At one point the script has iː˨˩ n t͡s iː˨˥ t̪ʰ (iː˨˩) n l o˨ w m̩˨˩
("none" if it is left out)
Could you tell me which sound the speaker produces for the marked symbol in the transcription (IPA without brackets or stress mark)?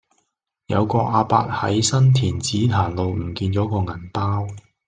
aː˨˩